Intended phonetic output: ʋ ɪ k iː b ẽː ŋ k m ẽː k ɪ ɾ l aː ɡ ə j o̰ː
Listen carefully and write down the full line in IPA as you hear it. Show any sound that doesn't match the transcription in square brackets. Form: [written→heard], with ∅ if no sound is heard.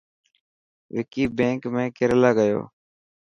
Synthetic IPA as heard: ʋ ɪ k iː b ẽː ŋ k m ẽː k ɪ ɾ l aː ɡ ə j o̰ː